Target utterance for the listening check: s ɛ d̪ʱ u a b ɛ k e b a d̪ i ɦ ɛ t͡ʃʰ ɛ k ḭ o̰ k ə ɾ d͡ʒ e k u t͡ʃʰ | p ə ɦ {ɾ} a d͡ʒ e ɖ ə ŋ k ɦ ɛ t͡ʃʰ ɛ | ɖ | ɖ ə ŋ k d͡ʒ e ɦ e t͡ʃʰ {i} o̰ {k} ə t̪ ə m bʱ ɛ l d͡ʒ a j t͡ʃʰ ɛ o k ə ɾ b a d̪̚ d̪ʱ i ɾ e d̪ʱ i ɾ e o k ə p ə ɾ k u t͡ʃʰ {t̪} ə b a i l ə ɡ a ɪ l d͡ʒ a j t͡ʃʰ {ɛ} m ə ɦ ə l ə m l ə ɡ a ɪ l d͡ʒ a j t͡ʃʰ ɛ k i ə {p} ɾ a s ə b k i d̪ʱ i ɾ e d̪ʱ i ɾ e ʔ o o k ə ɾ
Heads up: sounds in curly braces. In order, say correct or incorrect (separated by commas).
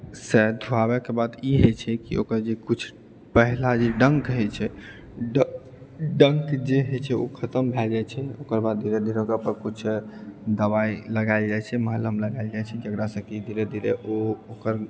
incorrect, incorrect, incorrect, incorrect, correct, incorrect